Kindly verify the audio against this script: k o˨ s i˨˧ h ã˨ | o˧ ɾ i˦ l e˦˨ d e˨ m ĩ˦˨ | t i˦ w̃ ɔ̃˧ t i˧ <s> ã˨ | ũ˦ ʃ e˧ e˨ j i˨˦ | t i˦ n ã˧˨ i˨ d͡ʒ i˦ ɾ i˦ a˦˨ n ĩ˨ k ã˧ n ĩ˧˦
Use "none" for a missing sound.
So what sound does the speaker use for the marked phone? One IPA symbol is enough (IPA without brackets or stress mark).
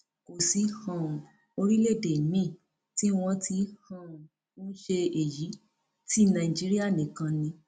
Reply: h